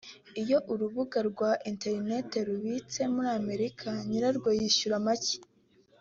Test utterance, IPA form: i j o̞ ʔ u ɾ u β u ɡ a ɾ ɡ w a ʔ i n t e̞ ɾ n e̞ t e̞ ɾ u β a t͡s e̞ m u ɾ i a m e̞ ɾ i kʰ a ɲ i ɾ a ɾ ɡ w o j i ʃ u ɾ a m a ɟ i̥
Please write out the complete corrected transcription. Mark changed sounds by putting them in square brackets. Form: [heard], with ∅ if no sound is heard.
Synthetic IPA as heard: i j o̞ ʔ u ɾ u β u ɡ a ɾ ɡ w a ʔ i n t e̞ ɾ n e̞ t e̞ ɾ u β [i] t͡s e̞ m u ɾ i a m e̞ ɾ i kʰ a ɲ i ɾ a ɾ ɡ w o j i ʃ u ɾ a m a [c] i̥